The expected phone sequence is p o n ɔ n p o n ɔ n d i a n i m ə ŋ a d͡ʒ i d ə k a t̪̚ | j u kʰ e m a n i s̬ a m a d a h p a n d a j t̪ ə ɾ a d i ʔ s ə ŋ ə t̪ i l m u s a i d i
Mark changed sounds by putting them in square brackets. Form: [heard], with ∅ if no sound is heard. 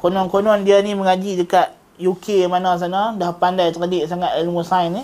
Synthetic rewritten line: [k] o n ɔ n [k] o n ɔ n d i a n i m ə ŋ a d͡ʒ i d ə k a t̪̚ | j u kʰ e m a n [a] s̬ a [n] a d a h p a n d a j t̪ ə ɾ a d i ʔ s [a] ŋ [a] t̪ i l m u s a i [n] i